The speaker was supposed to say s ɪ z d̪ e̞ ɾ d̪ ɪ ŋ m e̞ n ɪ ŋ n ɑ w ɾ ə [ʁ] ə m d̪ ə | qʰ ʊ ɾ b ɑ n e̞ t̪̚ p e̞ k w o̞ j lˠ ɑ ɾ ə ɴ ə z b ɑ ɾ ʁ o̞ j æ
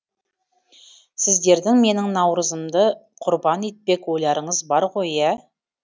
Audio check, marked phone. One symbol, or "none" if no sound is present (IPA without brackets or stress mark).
z